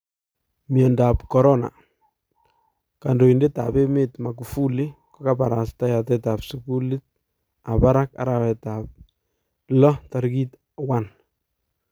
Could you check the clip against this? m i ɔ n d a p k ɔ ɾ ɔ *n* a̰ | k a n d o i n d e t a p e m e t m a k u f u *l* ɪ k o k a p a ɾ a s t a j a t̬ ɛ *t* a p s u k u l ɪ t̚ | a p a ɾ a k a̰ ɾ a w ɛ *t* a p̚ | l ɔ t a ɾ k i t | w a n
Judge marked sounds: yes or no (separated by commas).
yes, yes, yes, yes